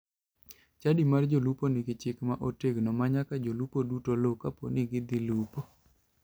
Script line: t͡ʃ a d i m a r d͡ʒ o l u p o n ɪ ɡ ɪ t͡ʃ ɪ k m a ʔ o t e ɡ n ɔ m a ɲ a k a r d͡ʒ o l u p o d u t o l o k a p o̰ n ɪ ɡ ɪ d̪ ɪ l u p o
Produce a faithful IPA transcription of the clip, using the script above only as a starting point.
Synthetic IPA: t͡ʃ a d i m a r d͡ʒ o l u p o n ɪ ɡ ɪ t͡ʃ ɪ k m a ʔ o t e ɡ n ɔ m a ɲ a k a d͡ʒ o l u p o d u t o l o k a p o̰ n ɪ ɡ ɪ d̪ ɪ l u p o